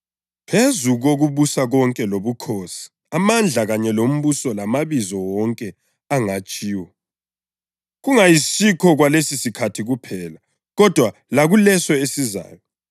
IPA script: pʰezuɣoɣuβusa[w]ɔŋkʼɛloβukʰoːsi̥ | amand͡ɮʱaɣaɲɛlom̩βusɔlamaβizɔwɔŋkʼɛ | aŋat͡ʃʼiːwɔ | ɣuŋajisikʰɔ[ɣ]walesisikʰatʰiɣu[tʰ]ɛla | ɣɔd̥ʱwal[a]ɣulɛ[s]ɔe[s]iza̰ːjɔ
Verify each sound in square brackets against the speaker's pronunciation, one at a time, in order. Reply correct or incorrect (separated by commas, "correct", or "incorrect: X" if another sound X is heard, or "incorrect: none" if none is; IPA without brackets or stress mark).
incorrect: ɣ, correct, incorrect: pʰ, correct, correct, correct